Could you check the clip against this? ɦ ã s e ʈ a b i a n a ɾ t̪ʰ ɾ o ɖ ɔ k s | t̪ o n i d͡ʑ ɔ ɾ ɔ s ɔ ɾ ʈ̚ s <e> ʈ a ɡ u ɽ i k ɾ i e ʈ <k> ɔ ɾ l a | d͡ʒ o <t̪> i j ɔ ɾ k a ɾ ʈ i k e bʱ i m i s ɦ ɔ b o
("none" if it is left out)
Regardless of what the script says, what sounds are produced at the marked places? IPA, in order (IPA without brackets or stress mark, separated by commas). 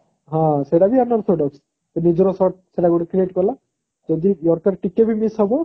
e, k, d̪